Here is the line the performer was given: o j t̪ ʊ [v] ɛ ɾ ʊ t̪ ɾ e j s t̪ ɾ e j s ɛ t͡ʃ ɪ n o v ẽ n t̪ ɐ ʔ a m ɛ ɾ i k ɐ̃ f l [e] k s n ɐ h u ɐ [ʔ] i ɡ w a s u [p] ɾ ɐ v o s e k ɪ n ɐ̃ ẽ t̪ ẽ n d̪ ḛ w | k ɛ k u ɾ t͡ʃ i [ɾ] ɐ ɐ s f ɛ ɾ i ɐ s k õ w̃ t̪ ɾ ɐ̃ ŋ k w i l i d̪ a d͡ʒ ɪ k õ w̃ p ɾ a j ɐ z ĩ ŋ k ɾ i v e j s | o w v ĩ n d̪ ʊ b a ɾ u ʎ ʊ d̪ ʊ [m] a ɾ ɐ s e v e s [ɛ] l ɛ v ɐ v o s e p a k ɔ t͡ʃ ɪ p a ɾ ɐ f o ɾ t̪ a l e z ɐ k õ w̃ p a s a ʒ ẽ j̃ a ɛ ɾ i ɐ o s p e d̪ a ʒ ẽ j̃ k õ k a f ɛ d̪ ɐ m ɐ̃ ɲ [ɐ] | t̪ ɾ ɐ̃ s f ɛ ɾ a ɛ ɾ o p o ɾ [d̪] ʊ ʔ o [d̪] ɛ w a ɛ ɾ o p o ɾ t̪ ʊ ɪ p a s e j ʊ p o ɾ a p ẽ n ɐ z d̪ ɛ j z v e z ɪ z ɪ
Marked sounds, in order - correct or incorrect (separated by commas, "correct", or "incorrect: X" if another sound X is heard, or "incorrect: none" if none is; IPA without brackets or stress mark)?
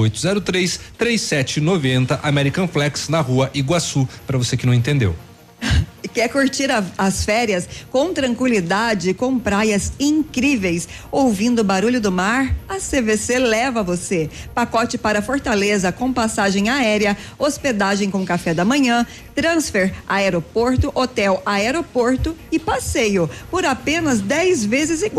incorrect: z, incorrect: ɛ, correct, correct, correct, correct, incorrect: e, incorrect: ɐ̃, incorrect: t̪, incorrect: t̪